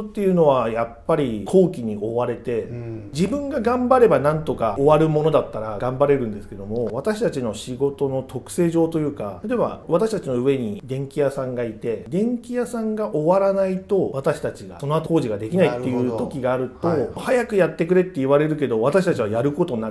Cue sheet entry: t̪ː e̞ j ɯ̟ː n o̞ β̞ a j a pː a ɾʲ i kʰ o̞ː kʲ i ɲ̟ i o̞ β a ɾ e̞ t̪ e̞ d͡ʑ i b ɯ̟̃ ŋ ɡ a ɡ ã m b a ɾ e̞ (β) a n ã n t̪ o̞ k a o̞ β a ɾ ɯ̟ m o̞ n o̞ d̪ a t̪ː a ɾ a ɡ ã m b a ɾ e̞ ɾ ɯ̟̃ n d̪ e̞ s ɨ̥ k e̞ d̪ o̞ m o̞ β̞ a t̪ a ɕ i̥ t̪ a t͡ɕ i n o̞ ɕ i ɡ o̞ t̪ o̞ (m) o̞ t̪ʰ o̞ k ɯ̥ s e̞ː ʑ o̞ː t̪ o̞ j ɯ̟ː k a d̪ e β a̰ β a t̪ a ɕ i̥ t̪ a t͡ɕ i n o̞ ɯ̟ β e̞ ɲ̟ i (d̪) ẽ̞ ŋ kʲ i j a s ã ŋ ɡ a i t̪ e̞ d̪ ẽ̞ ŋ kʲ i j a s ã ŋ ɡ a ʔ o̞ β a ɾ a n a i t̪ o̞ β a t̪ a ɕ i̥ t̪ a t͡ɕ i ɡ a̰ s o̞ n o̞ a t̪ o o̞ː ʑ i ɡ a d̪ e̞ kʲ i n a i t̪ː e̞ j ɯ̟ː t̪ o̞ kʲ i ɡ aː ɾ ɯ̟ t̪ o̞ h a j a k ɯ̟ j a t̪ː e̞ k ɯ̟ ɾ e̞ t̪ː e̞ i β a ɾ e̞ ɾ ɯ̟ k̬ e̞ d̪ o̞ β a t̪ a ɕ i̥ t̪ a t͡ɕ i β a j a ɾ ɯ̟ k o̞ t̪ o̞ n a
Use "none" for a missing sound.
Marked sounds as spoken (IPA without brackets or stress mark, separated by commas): b, n, d̪